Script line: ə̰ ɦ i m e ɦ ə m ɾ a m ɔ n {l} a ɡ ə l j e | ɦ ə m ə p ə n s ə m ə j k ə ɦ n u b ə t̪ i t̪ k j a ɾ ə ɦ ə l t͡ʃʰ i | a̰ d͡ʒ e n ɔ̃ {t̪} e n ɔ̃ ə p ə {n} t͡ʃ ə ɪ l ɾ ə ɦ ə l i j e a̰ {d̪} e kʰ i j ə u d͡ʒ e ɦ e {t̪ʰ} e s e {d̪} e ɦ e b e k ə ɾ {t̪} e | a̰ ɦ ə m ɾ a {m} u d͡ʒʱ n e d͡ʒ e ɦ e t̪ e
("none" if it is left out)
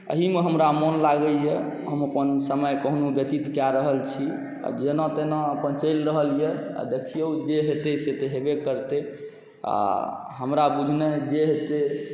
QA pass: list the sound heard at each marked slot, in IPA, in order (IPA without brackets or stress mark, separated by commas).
l, t̪, n, d̪, t̪, t̪, t̪, b